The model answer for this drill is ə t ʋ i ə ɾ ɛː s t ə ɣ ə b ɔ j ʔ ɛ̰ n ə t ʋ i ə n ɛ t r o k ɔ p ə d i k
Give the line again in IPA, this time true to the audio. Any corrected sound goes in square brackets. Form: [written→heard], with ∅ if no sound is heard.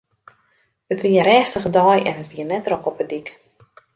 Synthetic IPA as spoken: ə t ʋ i ə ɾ ɛː s t ə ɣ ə [b→d] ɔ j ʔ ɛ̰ n ə t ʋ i ə n ɛ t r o k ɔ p ə d i k